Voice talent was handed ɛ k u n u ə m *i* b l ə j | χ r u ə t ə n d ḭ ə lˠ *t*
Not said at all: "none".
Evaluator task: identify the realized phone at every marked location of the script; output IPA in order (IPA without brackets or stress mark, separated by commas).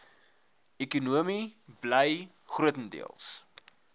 i, s